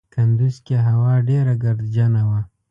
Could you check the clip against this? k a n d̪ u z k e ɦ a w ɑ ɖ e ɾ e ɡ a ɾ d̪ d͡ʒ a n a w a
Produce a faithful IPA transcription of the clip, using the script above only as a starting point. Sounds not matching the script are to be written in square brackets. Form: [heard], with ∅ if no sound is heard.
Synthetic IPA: k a n d̪ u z k e ɦ a w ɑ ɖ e ɾ [a] ɡ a ɾ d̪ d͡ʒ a n a w a